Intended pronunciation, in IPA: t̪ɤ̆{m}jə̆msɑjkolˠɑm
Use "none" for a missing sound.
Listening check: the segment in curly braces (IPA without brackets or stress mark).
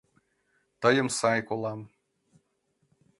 none